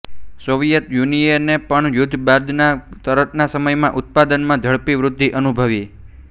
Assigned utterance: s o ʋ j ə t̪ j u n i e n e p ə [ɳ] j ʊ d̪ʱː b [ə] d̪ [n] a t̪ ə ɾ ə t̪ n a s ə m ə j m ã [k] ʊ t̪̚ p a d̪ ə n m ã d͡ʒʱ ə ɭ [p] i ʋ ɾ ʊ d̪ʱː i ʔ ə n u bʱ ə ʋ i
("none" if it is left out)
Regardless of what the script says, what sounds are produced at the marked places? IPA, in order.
ɳ, a, n, ʔ, p

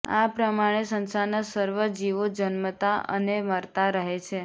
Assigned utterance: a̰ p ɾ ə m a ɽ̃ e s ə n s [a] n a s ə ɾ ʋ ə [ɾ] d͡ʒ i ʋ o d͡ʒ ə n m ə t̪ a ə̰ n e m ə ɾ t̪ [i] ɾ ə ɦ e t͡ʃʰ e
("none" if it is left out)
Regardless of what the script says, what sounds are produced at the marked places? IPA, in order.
a, none, a

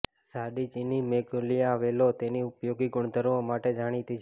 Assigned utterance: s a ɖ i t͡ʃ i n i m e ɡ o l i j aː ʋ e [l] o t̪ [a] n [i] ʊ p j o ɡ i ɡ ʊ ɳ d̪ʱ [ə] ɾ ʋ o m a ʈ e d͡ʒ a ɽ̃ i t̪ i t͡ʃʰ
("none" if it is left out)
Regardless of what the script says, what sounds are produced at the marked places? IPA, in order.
l, e, i, ə

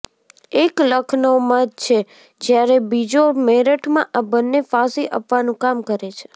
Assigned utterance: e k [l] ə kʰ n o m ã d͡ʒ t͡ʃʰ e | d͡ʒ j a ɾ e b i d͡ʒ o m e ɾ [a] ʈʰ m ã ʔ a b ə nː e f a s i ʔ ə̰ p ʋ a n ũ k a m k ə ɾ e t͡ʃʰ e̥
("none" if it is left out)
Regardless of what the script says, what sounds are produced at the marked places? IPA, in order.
l, ə

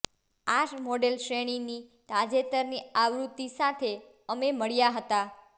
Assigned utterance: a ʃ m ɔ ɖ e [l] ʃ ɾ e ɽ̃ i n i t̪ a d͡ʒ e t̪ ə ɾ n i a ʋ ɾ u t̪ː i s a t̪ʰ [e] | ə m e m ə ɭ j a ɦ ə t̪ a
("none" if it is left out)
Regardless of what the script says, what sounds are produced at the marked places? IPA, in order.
l, e

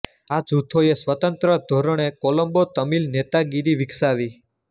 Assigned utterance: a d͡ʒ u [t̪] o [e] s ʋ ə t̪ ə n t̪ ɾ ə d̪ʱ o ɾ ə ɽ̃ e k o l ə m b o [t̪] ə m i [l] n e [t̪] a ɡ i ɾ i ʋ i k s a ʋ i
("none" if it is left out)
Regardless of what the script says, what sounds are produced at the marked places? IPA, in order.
t̪ʰ, e, t̪, l, t̪

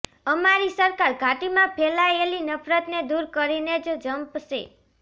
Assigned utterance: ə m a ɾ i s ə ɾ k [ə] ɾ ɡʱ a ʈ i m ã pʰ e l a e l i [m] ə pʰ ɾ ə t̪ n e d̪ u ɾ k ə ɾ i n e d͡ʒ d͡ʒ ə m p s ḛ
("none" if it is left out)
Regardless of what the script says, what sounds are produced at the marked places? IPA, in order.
a, n

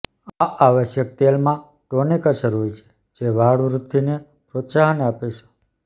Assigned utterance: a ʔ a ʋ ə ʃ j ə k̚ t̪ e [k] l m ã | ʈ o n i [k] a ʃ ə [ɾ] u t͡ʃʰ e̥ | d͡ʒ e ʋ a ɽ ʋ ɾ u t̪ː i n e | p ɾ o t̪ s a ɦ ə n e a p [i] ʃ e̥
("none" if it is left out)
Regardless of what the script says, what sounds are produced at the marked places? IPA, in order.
none, k, ɾ, e

